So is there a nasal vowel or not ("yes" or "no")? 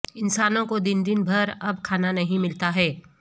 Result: yes